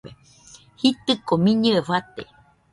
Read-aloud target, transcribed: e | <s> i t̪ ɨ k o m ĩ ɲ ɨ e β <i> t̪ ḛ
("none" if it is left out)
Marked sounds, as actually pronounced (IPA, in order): h, a

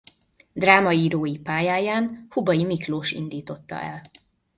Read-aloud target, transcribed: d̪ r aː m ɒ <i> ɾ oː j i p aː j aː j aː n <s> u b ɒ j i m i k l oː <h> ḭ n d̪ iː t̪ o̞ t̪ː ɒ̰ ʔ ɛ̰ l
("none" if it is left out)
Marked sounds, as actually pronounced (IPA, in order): iː, h, ʃ

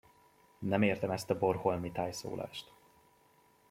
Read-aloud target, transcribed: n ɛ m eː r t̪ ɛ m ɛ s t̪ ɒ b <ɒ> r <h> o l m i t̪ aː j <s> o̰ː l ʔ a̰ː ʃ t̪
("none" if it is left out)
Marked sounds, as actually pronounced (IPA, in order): o, h, s

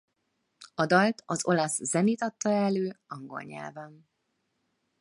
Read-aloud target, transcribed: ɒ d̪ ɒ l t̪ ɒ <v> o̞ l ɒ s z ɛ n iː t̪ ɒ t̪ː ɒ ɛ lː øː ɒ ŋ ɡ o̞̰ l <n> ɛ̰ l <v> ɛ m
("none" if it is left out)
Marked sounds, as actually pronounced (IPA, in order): z, ɲ, v

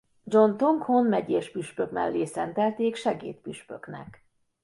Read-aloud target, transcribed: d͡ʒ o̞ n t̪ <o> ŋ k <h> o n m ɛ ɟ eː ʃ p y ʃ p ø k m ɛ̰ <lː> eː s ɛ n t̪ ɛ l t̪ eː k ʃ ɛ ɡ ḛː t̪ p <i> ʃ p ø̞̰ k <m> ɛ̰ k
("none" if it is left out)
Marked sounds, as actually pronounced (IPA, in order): o, h, lː, y, n

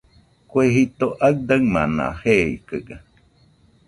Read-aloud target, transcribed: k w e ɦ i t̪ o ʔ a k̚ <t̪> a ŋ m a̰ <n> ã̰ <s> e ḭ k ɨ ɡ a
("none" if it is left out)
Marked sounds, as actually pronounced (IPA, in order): d̪, n, h

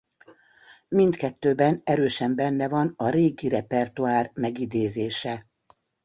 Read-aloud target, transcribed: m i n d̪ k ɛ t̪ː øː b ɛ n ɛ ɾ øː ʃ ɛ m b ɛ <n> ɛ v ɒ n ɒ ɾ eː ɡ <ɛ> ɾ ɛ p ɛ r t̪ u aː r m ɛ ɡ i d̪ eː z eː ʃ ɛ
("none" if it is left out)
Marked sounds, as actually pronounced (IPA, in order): nː, i

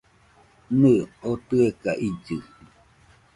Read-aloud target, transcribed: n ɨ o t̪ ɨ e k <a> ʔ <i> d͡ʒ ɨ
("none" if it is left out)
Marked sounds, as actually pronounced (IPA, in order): a, i

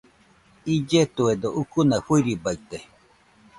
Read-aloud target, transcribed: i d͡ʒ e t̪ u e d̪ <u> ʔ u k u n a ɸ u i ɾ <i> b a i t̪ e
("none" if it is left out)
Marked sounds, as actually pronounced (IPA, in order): o, i

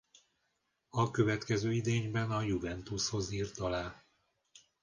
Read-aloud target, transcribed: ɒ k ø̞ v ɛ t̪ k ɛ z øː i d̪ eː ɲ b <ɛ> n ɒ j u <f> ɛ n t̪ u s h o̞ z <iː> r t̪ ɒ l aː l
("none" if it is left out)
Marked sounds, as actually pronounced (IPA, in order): ɛ, v, iː

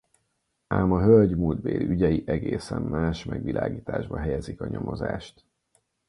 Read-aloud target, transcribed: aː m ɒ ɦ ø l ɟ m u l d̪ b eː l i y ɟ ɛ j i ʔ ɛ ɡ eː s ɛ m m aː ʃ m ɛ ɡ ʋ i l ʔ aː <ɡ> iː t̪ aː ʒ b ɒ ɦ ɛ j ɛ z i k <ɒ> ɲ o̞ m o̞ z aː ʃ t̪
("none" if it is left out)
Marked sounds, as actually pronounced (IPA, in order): ɡ, ɒ

